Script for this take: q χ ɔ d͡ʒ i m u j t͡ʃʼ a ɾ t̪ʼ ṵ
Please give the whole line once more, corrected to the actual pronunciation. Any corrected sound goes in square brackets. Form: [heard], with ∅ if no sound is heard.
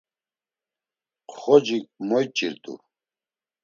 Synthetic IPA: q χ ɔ d͡ʒ i m [ɔ] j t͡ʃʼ [i] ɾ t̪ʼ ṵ